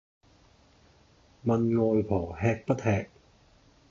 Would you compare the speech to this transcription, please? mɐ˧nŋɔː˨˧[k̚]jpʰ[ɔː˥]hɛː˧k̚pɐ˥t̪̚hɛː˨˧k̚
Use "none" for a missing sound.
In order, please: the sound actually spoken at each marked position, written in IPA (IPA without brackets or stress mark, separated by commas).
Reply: none, ɔː˨˩